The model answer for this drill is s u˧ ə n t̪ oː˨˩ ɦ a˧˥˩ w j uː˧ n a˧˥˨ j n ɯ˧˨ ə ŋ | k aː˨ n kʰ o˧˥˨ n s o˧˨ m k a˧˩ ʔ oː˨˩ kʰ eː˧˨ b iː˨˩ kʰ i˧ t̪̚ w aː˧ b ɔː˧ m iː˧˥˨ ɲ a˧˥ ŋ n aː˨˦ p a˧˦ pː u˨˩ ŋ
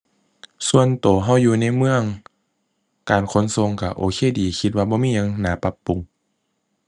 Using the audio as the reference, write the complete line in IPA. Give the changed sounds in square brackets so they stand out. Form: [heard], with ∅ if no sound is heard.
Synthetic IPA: s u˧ ə n t̪ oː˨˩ ɦ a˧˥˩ w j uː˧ n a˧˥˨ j [m] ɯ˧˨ ə ŋ | k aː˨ n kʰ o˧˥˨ n s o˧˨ [ŋ] k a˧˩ ʔ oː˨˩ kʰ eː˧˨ [d] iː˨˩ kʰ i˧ t̪̚ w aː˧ b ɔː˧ m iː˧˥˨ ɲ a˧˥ ŋ n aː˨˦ p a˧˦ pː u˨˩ ŋ